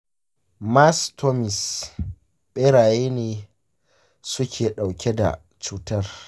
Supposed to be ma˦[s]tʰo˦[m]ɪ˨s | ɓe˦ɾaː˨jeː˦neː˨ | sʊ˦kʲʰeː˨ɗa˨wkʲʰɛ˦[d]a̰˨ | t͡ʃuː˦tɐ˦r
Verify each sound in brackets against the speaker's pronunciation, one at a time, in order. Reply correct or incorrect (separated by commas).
correct, correct, correct